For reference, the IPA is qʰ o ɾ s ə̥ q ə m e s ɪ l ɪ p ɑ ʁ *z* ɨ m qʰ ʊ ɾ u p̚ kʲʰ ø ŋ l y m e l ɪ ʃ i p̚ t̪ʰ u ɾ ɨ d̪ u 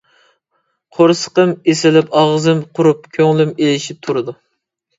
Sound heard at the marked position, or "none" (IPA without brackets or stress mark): z